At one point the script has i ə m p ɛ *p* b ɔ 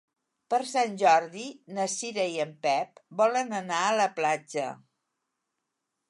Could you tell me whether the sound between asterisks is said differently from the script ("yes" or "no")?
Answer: no